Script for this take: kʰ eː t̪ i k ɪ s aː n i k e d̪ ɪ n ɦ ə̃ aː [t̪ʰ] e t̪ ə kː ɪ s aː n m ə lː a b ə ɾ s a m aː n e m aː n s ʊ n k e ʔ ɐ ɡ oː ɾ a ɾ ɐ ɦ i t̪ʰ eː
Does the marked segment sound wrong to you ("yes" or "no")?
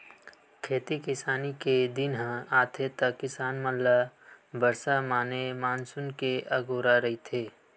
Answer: no